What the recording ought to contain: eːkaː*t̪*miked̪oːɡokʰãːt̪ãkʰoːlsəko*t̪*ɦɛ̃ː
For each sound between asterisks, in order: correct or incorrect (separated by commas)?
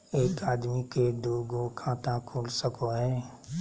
incorrect, incorrect